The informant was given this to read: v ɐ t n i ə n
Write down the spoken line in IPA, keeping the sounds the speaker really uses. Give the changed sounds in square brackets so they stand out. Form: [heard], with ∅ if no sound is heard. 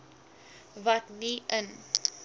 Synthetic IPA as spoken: v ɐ t n i ə n